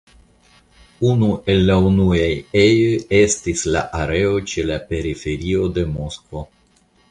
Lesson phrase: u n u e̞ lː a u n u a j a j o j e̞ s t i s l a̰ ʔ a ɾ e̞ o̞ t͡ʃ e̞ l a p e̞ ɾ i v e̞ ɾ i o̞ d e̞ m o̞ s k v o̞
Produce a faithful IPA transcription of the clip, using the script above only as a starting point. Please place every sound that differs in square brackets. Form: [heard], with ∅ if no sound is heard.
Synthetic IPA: u n u e̞ lː a u n u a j [e] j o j e̞ s t i s l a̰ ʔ a ɾ e̞ o̞ t͡ʃ e̞ l a p e̞ ɾ i [f] e̞ ɾ i o̞ d e̞ m o̞ s k v o̞